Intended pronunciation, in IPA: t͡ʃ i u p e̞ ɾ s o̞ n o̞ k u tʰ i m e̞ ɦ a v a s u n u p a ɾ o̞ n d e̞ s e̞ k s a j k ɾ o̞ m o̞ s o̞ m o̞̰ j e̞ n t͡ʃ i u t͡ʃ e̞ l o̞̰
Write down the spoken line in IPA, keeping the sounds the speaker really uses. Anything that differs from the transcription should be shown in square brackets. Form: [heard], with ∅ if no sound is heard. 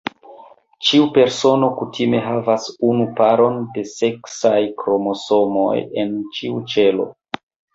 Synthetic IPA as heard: t͡ʃ i u p e̞ ɾ s o̞ n o̞ k u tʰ i m e̞ ɦ a v a s u n u p a ɾ o̞ n d e̞ s e̞ k s a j k ɾ o̞ m o̞ s o̞ m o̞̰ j e̞ n t͡ʃ i u t͡ʃ e̞ l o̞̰